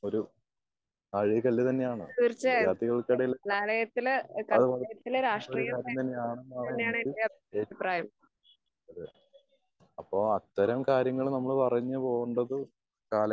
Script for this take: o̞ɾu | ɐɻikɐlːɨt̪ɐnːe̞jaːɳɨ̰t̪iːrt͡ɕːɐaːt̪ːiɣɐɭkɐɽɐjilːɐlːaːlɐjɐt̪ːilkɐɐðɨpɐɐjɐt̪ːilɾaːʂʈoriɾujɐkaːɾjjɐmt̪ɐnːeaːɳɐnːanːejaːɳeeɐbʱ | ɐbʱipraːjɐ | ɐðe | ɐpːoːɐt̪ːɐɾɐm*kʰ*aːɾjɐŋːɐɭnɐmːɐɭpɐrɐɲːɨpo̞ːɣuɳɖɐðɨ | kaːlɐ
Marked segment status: incorrect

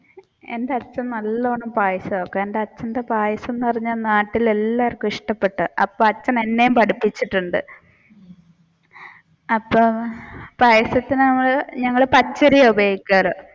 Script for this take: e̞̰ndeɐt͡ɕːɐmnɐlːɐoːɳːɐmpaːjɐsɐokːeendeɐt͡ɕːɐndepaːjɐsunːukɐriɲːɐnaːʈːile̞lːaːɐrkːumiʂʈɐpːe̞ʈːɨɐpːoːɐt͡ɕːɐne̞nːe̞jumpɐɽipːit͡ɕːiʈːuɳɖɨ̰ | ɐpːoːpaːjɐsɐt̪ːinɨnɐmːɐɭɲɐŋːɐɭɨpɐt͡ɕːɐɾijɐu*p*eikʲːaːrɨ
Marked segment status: incorrect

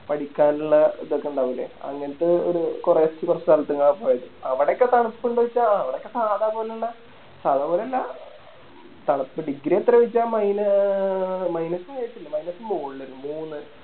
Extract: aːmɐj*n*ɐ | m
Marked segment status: correct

